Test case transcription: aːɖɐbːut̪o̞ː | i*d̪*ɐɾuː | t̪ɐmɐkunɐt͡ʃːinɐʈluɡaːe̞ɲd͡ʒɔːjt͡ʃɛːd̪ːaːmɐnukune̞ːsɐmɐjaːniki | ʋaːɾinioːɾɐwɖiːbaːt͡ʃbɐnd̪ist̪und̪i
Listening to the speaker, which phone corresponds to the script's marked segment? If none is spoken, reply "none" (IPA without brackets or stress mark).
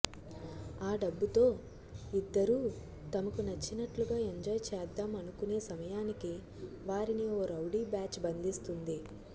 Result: d̪ː